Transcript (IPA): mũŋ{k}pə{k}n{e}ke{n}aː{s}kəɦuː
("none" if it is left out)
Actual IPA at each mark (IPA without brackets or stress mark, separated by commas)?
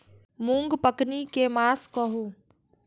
ɡ, k, i, m, s